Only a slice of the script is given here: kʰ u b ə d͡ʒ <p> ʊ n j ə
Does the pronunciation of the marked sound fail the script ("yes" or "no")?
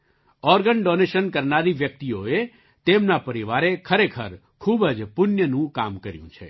no